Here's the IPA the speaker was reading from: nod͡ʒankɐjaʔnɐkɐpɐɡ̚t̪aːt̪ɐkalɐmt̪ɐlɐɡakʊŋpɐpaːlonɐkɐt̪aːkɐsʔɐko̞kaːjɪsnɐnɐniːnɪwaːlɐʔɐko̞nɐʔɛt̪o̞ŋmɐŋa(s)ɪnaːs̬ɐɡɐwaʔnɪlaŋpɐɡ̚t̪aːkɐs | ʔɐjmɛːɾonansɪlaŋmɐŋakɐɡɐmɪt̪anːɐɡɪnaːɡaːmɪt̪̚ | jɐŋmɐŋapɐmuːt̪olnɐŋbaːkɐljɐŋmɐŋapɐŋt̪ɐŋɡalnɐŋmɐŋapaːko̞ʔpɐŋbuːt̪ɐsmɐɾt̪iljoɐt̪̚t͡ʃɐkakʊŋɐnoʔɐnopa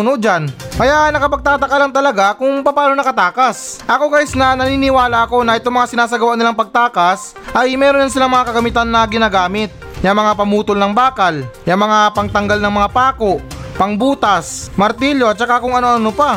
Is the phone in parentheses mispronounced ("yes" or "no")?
no